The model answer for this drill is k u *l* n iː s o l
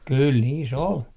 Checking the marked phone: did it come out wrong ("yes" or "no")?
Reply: no